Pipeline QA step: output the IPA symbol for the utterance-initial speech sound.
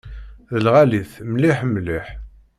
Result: ð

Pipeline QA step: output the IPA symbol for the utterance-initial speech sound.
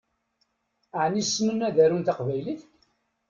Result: ʕ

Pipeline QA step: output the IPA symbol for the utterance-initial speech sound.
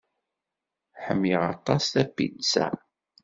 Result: ħ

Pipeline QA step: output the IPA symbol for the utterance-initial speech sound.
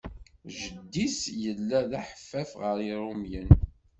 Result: ʒ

